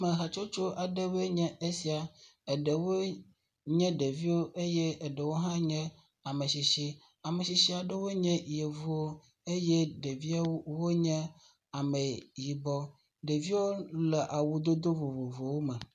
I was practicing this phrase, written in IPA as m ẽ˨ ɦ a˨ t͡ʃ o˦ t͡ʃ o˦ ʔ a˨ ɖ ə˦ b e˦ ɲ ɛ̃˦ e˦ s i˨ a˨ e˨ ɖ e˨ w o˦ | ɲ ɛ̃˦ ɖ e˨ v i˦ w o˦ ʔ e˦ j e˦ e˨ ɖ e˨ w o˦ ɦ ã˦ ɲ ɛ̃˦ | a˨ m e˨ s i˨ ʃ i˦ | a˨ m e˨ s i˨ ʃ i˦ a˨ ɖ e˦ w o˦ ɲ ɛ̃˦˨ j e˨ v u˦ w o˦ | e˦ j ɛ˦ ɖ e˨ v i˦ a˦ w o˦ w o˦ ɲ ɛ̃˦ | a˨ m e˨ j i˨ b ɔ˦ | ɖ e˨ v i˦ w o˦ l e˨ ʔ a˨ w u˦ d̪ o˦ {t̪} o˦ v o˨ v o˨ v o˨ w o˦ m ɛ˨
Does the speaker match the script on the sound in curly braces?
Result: no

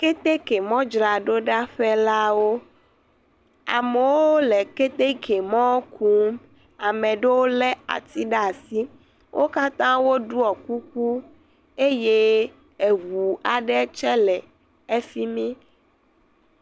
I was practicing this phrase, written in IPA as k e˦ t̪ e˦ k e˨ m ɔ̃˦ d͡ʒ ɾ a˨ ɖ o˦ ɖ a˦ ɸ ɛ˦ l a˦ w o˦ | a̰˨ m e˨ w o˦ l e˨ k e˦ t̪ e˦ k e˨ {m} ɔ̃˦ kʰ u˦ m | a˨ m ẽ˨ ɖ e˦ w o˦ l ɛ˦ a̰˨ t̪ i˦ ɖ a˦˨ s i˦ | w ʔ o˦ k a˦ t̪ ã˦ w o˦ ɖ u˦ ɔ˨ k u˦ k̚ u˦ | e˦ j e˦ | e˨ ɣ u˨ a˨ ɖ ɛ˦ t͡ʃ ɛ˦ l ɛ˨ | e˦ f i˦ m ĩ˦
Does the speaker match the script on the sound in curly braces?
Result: yes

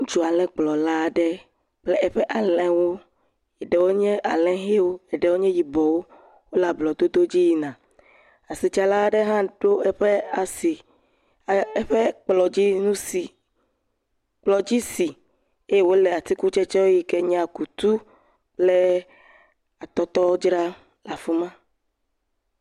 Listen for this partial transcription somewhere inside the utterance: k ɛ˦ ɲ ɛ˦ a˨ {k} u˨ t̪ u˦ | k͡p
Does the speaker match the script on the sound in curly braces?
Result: yes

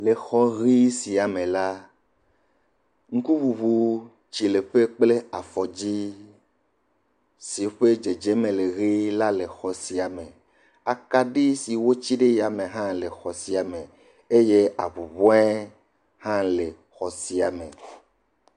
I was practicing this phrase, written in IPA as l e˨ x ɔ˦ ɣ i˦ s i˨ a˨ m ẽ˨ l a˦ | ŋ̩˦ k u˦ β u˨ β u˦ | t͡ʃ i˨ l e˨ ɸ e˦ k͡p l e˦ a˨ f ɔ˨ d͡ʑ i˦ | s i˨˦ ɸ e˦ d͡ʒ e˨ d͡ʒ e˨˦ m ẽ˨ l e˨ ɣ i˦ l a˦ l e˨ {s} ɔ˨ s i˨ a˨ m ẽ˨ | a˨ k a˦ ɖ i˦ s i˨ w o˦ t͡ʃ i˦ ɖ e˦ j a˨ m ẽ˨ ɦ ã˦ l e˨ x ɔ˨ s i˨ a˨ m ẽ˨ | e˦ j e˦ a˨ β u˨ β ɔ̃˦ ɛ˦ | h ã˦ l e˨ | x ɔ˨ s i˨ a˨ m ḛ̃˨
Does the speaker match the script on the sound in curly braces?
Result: no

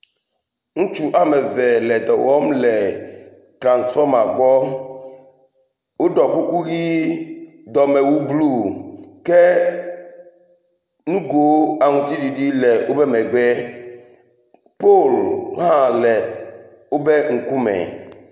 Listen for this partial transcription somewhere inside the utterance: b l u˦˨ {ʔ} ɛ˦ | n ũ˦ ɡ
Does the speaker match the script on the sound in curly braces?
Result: no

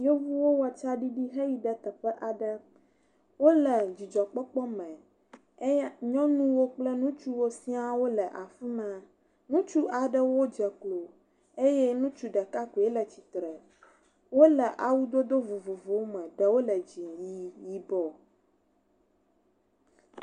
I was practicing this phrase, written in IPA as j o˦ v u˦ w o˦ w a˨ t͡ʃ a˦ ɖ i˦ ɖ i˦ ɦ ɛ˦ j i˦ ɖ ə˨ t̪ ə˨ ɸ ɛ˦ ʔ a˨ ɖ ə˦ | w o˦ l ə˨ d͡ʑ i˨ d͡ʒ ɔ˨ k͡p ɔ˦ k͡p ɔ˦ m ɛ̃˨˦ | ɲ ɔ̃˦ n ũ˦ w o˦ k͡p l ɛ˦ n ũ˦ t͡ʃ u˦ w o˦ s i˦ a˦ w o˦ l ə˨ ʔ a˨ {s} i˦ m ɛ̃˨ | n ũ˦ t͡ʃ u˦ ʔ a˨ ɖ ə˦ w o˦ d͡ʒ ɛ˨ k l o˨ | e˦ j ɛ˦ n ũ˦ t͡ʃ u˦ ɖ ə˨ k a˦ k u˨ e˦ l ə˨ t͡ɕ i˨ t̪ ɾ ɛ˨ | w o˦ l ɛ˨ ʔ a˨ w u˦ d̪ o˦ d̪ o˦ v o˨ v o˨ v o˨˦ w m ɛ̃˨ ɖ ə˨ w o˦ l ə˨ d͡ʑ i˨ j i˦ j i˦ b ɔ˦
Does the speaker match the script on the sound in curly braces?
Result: no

